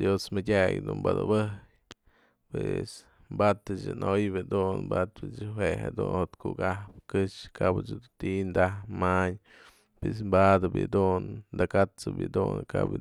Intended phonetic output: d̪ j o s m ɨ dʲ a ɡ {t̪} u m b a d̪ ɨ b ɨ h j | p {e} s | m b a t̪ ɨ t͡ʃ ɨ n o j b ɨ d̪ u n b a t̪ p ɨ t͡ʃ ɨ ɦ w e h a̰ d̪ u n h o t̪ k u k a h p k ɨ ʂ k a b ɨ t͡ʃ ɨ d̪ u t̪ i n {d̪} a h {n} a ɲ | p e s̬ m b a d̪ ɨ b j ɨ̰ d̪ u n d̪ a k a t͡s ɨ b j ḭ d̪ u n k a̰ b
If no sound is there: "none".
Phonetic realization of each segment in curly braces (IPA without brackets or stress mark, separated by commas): d̪, e, d̪, m